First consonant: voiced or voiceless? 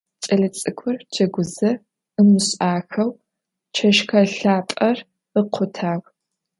voiceless